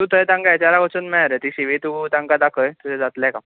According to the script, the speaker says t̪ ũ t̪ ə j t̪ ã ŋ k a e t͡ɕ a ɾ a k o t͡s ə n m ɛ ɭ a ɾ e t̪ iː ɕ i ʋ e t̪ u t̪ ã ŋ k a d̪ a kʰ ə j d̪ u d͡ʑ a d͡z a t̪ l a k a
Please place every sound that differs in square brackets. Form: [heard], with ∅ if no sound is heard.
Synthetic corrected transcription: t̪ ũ t̪ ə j t̪ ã ŋ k a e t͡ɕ a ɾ a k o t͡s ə n m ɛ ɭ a ɾ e t̪ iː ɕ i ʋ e t̪ u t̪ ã ŋ k a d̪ a kʰ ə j [t̪] u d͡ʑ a d͡z a t̪ l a k a